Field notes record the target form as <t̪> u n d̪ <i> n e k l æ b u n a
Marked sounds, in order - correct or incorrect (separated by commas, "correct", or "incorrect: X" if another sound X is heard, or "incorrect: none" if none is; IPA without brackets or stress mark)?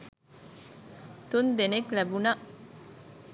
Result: correct, incorrect: e